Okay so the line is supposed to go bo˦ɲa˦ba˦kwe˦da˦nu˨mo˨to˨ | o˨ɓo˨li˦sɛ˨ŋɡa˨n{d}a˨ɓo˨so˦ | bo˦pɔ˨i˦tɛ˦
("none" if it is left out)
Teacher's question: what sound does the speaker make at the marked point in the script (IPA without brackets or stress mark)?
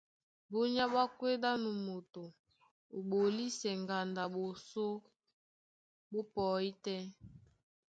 d